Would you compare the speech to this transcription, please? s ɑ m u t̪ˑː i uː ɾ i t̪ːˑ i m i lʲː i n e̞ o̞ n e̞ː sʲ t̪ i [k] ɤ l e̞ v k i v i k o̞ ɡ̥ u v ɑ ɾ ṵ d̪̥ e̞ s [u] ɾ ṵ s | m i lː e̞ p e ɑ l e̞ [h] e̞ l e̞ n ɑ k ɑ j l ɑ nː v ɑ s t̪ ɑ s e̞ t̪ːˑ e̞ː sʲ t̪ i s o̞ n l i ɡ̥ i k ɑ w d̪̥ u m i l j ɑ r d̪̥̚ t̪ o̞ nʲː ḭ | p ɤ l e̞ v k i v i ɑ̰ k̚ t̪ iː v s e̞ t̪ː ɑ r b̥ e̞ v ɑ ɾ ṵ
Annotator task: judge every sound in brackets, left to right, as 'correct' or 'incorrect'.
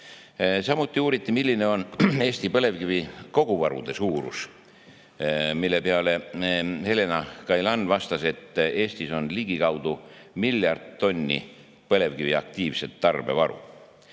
incorrect, incorrect, correct

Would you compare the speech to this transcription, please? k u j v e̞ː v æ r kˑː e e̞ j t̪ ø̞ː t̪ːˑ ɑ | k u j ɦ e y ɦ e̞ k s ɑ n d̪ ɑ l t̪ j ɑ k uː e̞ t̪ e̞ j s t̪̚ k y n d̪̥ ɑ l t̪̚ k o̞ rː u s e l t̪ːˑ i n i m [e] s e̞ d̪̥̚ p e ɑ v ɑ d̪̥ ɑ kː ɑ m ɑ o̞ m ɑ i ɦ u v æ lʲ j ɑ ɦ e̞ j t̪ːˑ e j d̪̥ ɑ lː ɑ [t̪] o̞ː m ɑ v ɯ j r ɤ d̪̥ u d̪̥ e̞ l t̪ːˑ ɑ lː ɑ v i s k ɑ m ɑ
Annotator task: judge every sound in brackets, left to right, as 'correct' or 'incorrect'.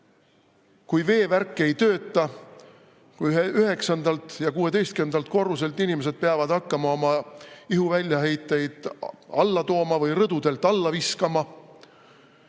correct, correct

